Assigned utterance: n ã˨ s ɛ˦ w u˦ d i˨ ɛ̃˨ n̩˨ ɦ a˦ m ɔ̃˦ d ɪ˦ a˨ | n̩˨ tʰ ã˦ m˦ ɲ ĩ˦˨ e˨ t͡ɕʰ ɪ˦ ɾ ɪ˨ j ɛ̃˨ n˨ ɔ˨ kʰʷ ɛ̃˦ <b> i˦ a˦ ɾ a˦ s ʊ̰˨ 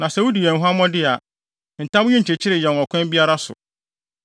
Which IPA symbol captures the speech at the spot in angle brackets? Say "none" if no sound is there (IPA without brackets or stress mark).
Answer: b